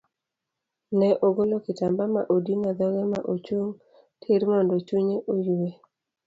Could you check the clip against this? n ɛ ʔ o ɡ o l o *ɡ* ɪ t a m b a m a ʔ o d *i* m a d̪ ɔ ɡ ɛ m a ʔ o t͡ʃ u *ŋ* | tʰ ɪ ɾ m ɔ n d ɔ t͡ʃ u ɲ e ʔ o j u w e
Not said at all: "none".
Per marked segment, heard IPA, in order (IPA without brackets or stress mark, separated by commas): k, i, ŋ